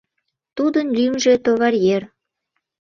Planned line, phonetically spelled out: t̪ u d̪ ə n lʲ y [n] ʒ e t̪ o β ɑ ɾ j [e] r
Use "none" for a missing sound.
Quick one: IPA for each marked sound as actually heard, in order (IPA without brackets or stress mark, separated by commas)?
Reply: m, e